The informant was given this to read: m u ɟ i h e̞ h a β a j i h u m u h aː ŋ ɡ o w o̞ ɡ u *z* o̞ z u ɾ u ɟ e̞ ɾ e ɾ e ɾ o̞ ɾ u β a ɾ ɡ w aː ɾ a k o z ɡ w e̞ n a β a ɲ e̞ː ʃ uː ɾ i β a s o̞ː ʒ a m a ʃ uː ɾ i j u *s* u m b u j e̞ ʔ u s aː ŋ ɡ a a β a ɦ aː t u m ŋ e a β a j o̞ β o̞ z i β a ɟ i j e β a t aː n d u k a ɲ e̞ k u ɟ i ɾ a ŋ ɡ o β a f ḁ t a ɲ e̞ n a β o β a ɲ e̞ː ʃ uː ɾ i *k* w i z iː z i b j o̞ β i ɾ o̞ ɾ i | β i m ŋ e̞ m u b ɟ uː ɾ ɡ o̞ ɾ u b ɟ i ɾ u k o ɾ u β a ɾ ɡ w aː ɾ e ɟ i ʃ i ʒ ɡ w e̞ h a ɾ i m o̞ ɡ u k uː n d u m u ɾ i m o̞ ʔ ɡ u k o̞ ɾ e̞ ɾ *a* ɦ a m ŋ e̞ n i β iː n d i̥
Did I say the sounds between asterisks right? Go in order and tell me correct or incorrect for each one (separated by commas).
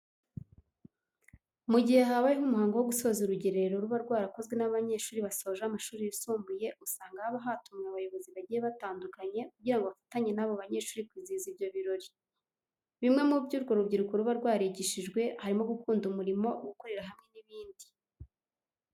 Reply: incorrect, correct, correct, correct